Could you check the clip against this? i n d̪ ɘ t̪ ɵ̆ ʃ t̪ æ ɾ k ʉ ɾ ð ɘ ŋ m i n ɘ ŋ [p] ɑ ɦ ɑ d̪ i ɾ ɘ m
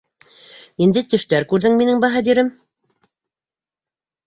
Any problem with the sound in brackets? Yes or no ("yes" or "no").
yes